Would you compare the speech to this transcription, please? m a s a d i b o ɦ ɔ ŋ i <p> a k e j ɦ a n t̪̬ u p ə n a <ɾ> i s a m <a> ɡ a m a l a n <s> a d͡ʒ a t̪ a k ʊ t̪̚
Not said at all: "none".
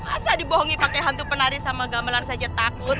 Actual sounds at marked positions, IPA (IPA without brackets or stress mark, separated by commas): p, ɾ, a, s